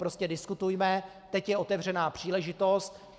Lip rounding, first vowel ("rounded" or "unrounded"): rounded